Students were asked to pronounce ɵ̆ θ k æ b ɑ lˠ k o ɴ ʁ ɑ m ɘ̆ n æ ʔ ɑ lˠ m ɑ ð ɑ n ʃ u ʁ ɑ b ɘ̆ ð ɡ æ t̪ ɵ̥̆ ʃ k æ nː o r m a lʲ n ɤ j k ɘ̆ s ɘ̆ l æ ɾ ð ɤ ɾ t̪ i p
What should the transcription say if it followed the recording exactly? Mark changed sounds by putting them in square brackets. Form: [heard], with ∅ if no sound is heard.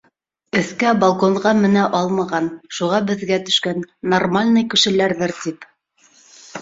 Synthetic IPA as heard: ɵ̆ θ k æ b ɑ lˠ k o ɴ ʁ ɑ m ɘ̆ n æ ʔ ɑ lˠ m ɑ [ʁ] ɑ n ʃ u ʁ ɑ b ɘ̆ ð ɡ æ t̪ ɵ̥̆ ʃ k æ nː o r m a lʲ n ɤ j k ɘ̆ [ʃ] ɘ̆ l æ ɾ ð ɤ ɾ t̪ i p